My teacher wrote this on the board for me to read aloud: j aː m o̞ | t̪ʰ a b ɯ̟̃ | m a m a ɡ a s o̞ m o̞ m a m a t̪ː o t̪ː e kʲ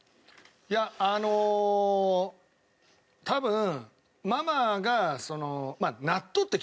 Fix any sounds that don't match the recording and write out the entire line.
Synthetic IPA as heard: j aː n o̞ | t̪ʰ a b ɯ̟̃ | m a m a ɡ a s o̞ n o̞ m a n a t̪ː o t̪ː e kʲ